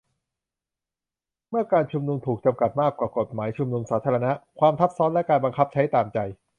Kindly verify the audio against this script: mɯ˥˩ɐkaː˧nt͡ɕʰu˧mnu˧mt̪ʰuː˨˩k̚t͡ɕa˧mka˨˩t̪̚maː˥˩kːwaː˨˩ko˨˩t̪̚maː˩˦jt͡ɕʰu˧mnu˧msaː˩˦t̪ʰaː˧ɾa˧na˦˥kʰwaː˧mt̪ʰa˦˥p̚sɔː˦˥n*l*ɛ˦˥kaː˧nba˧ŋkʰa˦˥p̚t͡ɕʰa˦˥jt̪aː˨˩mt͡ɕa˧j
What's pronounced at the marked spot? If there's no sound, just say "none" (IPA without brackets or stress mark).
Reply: l